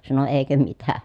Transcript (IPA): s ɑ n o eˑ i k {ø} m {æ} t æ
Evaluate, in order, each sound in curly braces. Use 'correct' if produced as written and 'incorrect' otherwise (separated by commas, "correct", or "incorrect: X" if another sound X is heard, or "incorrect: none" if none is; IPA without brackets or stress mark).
correct, incorrect: i